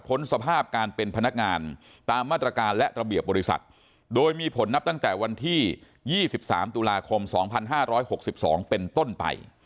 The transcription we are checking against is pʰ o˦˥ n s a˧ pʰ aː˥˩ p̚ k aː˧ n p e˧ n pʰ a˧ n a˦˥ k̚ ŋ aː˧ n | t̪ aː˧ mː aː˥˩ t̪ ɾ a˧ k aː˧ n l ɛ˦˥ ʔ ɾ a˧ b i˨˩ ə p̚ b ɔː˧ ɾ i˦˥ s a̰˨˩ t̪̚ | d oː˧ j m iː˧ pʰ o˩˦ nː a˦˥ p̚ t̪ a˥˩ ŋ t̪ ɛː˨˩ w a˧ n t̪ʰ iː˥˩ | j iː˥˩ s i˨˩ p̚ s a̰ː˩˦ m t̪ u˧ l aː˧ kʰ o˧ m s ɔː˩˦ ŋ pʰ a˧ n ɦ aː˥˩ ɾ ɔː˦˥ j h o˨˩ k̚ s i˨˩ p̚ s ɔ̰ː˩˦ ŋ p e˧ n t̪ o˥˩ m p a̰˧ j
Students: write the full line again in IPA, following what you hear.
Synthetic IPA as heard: pʰ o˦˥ n s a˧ pʰ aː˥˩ p̚ k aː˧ n p e˧ n pʰ a˧ n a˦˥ k̚ ŋ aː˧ n | t̪ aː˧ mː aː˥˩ t̪ ɾ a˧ k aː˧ n l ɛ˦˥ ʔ ɾ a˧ b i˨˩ ə p̚ b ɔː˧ ɾ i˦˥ s a̰˨˩ t̪̚ | d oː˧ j m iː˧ pʰ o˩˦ nː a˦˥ p̚ t̪ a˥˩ ŋ t̪ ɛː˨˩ w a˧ n t̪ʰ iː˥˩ | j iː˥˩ s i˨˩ p̚ s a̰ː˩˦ m t̪ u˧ l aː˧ kʰ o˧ m s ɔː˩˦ ŋ pʰ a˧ n ɦ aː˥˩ ɾ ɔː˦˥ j h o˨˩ k̚ s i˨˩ p̚ s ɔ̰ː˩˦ ŋ p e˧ n t̪ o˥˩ n p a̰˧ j